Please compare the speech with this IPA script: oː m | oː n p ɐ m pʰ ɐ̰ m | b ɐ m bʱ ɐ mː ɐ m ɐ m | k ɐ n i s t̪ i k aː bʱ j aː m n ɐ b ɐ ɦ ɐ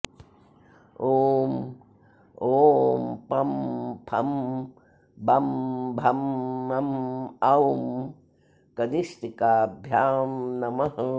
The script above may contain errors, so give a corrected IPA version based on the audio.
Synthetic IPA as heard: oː m | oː m p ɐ m pʰ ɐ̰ m | b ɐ m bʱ ɐ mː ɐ m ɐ m | k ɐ n i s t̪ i k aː bʱ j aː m n ɐ m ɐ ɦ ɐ